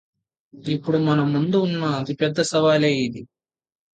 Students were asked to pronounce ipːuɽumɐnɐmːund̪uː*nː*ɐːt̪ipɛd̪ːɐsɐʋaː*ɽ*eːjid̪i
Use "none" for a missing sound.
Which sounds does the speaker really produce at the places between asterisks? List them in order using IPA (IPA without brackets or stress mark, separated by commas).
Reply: nː, l